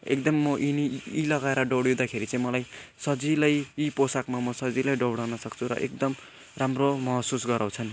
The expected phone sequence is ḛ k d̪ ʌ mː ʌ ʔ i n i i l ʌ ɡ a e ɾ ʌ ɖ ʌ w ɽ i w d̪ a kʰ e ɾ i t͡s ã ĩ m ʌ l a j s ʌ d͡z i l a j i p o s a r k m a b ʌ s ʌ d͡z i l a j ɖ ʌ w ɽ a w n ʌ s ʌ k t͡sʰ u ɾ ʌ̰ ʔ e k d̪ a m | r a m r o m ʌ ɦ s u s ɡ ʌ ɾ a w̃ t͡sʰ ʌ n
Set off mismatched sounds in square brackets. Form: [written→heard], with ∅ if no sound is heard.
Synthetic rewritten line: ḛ k d̪ ʌ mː ʌ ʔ i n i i l ʌ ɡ a e ɾ ʌ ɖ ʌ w ɽ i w d̪ a kʰ e ɾ i t͡s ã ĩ m ʌ l a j s ʌ d͡z i l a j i p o s a [r→∅] k m a [b→m] ʌ s ʌ d͡z i l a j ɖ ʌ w ɽ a w n ʌ s ʌ k t͡sʰ u ɾ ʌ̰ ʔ e k d̪ [a→ʌ] m | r a m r o m ʌ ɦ s u s ɡ ʌ ɾ a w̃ t͡sʰ ʌ n